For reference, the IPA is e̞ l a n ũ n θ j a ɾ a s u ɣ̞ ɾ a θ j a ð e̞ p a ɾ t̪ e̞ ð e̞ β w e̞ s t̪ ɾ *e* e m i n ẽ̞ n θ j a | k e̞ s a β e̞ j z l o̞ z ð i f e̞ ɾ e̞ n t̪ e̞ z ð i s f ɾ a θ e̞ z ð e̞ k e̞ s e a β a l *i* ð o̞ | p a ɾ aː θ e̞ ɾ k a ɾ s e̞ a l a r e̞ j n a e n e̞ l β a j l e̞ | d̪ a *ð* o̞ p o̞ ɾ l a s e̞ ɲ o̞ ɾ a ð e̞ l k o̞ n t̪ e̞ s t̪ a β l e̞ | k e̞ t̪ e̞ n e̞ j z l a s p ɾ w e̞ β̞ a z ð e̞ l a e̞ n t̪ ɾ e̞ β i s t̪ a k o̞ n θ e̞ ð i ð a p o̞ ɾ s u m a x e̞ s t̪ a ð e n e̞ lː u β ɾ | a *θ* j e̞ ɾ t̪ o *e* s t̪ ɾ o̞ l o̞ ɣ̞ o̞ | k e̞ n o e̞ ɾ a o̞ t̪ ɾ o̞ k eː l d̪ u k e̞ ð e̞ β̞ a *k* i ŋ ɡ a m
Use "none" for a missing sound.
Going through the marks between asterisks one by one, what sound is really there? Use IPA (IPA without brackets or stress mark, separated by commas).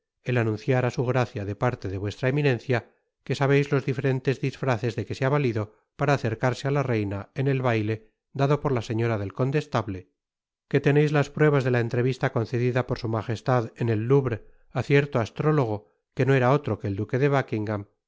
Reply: a, i, ð, θ, a, k